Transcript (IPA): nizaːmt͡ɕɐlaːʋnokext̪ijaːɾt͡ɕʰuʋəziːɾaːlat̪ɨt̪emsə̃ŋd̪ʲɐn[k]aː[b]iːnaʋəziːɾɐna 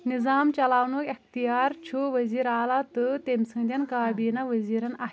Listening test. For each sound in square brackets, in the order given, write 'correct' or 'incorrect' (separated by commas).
correct, correct